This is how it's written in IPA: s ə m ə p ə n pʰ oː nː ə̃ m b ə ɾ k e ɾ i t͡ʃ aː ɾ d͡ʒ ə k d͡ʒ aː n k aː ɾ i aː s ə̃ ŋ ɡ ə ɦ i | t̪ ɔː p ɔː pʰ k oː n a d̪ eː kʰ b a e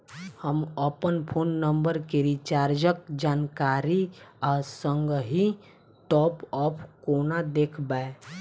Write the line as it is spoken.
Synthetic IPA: h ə m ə p ə n pʰ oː nː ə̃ m b ə ɾ k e ɾ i t͡ʃ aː ɾ d͡ʒ ə k d͡ʒ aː n k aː ɾ i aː s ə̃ ŋ ɡ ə ɦ i | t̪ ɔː p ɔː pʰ k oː n a d̪ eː kʰ b a e